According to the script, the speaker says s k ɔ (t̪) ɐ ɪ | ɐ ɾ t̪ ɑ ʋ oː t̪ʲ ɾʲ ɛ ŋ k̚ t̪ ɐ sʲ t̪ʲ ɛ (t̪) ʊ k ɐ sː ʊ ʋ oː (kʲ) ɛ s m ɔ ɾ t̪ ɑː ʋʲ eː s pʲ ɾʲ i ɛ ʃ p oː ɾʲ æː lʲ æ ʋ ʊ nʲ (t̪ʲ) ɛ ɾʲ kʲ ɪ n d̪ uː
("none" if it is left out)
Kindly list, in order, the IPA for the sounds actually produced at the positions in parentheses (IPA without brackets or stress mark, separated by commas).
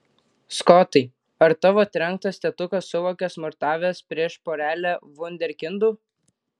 t̪, t̪, kʲ, d̪ʲ